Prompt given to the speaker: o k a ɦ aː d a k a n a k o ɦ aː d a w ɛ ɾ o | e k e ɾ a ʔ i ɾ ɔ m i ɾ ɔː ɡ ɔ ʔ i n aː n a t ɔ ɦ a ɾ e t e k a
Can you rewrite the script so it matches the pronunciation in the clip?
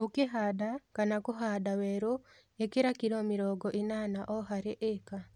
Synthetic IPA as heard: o k e ɦ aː d a k a n a k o ɦ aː d a w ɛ ɾ o | e k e ɾ a k i ɾ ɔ m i ɾ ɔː ɡ ɔ ʔ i n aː n a ʔ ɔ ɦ a ɾ e ʔ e k a